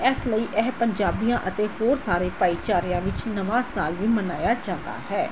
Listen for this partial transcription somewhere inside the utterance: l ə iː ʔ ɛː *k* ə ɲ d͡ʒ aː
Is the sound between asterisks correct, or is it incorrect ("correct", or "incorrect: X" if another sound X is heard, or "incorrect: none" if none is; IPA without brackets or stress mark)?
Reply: incorrect: p